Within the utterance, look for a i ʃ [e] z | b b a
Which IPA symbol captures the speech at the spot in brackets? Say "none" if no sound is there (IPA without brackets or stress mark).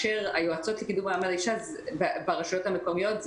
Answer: a